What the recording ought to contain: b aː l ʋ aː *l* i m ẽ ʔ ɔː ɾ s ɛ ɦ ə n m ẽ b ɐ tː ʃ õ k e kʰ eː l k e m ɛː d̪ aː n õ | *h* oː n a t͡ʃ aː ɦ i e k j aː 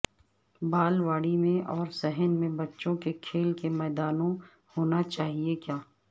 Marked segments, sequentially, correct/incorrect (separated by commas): incorrect, correct